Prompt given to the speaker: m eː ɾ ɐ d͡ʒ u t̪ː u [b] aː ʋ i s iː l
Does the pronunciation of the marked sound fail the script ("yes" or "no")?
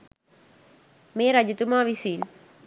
yes